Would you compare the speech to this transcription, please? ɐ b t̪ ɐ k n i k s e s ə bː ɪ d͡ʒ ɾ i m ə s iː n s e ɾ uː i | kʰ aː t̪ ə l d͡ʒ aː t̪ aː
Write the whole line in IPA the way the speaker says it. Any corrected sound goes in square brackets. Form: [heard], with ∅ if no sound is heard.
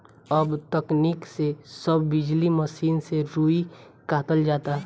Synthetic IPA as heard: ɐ b t̪ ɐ k n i k s e s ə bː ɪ d͡ʒ [l] i m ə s iː n s e ɾ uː i | [k] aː t̪ ə l d͡ʒ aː t̪ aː